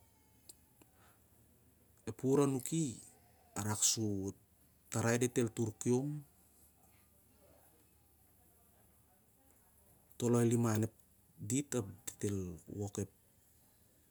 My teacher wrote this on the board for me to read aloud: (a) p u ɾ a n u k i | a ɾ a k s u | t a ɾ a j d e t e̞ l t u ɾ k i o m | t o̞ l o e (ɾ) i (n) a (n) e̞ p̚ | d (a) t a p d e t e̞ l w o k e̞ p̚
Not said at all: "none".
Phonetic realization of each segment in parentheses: e, l, m, n, i

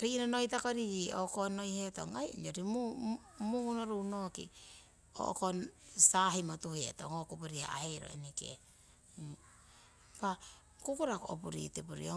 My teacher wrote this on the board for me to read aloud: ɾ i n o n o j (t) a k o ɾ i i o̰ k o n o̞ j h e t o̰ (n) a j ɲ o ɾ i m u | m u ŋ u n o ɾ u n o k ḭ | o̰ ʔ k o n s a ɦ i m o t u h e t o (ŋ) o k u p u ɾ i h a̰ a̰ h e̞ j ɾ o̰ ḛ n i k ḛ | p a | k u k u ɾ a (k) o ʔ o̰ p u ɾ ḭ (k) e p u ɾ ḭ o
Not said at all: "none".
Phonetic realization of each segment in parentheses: t, ŋ, ŋ, k, t

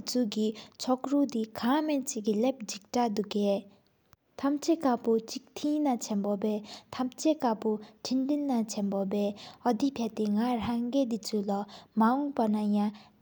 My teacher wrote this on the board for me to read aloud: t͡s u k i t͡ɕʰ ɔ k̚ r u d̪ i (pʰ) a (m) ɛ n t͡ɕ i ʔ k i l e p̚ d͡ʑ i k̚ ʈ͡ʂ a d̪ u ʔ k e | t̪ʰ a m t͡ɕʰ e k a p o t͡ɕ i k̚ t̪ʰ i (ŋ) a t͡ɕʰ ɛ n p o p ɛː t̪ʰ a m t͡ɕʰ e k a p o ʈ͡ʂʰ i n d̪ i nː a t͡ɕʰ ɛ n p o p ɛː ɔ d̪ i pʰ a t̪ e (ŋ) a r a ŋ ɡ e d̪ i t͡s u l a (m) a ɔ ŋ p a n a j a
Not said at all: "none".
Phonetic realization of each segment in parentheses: kʰ, m, n, ŋ, m

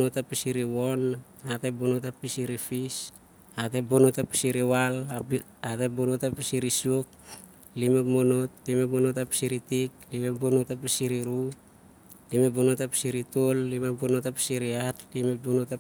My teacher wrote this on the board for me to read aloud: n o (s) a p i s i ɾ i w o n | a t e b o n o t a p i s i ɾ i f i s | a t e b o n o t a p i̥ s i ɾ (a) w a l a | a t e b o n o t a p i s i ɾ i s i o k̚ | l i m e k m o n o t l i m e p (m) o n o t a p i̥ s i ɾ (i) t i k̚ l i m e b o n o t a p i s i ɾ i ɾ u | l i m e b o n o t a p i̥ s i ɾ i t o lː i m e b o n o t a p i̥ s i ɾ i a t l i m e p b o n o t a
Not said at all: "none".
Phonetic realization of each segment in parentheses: t, i, m, i

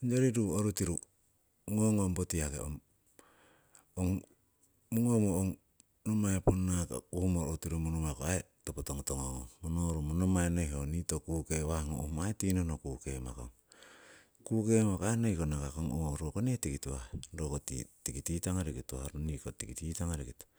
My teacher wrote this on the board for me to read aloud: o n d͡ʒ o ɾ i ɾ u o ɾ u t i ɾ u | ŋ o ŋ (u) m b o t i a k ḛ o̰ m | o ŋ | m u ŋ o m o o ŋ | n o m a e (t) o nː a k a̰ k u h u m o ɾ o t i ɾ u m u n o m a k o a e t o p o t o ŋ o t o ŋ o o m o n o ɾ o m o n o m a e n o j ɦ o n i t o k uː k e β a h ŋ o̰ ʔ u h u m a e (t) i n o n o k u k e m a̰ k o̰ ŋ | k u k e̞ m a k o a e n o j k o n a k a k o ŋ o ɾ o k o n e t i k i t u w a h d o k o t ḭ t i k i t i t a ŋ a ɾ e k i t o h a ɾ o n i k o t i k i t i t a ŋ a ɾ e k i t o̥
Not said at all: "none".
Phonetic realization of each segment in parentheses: o, p, t

